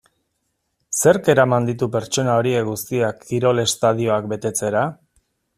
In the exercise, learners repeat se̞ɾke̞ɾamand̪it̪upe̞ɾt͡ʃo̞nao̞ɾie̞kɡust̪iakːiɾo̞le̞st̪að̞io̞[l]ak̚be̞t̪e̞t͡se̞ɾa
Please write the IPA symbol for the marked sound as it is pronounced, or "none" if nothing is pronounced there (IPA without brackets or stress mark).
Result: none